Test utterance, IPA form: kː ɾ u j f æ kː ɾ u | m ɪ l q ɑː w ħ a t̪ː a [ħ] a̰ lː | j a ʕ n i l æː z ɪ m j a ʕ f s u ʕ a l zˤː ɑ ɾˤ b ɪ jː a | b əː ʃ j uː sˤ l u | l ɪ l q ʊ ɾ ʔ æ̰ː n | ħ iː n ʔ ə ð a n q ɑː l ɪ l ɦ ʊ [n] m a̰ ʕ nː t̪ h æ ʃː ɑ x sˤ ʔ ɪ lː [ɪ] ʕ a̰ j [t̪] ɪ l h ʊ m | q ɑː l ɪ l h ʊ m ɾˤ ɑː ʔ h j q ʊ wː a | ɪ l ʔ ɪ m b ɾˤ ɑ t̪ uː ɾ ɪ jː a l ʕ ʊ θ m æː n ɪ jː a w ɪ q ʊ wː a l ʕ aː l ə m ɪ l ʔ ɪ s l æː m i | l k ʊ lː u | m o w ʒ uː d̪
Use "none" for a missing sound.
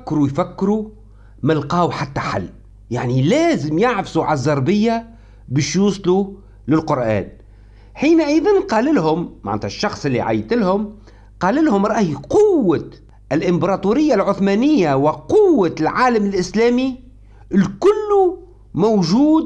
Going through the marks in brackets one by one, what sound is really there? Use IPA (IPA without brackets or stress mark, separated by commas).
ħ, m, i, t̪